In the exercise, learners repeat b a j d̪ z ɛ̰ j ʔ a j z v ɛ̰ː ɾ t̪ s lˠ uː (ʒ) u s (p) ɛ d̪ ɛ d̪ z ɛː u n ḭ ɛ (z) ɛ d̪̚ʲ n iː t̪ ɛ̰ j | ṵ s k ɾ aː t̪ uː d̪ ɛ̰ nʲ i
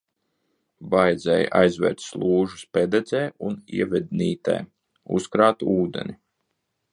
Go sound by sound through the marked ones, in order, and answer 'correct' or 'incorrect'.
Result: correct, correct, incorrect

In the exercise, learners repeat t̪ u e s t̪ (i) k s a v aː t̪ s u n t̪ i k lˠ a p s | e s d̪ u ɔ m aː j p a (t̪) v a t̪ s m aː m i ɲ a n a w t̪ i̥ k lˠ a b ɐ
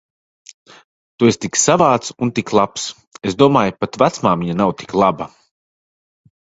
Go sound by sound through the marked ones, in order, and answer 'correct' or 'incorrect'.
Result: correct, correct

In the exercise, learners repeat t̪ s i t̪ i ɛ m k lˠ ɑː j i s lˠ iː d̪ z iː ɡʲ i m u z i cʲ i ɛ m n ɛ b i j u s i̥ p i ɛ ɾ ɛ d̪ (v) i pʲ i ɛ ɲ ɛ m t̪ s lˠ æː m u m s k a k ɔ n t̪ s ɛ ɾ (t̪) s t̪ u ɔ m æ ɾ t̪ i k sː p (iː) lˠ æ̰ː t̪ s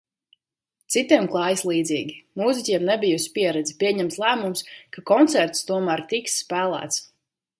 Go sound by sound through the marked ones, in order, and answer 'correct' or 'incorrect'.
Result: incorrect, correct, incorrect

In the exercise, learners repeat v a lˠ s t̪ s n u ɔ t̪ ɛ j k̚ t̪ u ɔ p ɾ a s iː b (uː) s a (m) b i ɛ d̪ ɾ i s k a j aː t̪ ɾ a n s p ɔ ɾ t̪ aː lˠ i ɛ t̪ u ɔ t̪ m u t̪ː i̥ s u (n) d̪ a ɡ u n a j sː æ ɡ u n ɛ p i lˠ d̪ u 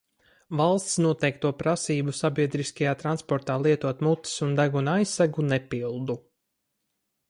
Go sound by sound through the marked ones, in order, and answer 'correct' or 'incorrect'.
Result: incorrect, incorrect, correct

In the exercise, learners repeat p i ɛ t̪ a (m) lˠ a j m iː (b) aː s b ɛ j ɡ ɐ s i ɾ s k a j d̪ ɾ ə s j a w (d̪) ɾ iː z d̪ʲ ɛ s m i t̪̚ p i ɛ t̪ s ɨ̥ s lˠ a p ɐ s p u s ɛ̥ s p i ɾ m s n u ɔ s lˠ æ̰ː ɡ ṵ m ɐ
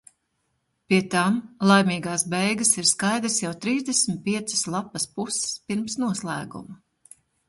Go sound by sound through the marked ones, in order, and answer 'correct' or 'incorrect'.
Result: correct, incorrect, incorrect

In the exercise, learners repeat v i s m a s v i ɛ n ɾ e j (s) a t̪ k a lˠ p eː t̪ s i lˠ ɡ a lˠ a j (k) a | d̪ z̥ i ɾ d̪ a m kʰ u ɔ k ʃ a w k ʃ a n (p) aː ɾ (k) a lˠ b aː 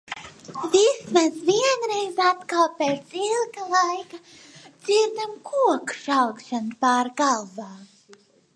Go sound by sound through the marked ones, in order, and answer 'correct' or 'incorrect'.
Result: incorrect, correct, correct, incorrect

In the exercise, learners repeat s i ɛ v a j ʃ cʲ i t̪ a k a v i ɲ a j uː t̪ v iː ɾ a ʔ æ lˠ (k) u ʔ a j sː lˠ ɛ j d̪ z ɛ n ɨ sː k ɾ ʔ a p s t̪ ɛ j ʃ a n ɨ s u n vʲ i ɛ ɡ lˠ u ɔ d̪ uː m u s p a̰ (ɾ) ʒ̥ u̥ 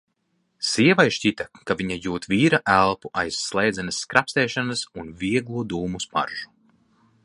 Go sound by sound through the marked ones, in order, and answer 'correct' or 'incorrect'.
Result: incorrect, correct

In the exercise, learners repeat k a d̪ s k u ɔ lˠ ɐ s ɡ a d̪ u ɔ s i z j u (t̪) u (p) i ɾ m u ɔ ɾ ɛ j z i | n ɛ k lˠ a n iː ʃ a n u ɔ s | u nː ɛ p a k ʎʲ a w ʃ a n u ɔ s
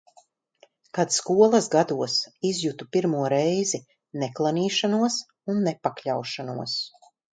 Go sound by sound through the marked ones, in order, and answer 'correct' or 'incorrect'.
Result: correct, correct

